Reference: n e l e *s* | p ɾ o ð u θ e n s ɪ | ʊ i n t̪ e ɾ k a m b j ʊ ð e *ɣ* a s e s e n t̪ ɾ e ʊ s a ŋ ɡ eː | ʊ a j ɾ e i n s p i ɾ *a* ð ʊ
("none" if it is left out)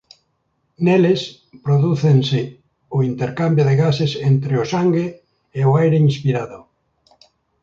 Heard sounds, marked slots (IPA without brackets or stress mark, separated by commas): s, ɣ, a